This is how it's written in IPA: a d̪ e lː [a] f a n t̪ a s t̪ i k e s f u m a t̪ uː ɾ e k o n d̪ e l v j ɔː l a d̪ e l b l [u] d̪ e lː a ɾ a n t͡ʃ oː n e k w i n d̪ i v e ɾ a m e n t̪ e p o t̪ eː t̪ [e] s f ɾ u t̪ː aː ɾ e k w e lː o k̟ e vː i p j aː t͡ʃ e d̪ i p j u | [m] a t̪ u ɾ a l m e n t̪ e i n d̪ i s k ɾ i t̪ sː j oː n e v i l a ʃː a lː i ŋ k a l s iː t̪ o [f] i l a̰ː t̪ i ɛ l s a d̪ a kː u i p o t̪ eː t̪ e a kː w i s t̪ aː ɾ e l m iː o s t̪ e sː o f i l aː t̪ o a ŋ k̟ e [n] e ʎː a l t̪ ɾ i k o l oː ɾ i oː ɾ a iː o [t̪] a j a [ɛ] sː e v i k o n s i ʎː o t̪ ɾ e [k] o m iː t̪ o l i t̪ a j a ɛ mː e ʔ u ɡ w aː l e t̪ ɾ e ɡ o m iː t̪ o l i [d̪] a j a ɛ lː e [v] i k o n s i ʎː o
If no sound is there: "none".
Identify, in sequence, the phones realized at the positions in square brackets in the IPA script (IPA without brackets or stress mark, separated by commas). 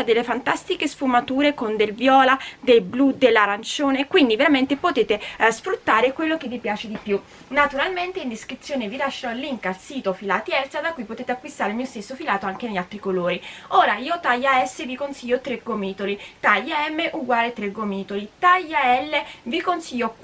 e, u, e, n, f, n, t̪, ɛ, ɡ, t̪, v